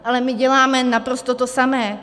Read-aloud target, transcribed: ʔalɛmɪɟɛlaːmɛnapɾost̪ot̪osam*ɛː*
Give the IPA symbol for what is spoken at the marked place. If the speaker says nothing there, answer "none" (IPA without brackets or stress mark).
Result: ɛː